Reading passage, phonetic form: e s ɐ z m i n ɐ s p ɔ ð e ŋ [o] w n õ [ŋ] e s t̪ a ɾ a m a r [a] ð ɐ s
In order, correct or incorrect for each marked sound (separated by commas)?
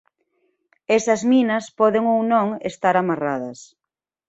correct, correct, correct